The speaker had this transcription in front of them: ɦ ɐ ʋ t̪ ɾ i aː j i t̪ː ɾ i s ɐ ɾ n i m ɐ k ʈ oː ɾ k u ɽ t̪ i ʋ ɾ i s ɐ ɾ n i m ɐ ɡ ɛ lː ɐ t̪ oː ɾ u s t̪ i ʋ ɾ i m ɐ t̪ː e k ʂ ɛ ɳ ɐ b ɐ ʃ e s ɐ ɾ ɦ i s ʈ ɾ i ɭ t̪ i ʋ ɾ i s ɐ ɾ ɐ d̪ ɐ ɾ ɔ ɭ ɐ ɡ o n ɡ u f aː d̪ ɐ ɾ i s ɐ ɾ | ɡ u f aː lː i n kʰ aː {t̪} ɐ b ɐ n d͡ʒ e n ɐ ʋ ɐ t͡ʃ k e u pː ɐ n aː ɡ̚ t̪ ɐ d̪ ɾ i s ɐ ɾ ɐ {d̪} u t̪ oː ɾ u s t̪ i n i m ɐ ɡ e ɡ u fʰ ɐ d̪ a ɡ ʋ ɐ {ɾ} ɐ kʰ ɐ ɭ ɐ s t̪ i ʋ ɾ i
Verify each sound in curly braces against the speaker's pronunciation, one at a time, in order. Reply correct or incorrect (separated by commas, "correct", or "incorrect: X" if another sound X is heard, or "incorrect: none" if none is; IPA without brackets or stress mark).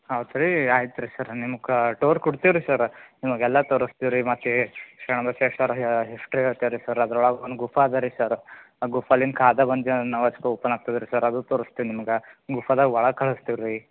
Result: incorrect: d̪, correct, incorrect: ɭ